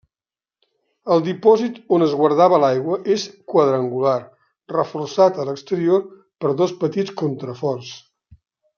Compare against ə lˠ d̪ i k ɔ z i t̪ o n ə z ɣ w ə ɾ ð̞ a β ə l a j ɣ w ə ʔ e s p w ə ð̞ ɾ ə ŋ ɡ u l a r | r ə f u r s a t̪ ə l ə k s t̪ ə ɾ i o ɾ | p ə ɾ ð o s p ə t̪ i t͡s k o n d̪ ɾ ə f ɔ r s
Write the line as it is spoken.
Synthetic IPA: ə lˠ d̪ i p ɔ z i t̪ o n ə z ɣ w ə ɾ ð̞ a β ə l a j ɣ w ə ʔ e s k w ə ð̞ ɾ ə ŋ ɡ u l a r | r ə f u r s a t̪ ə l ə k s t̪ ə ɾ i o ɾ | p ə ɾ ð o s p ə t̪ i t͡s k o n t̪ ɾ ə f ɔ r s